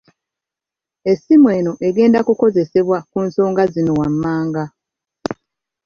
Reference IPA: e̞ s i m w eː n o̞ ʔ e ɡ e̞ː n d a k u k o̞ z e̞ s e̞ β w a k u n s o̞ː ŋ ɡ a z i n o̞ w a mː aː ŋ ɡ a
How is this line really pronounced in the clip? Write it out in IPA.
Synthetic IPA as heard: e̞ s i m w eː n o̞ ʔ e ɡ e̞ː n d a k u k o̞ z e̞ s e̞ β w a k u n s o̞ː ŋ ɡ a z i n o̞ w a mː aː ŋ ɡ a